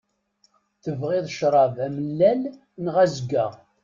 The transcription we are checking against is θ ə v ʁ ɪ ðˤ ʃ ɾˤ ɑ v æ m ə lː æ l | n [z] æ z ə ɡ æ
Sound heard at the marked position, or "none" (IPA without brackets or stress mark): ʁ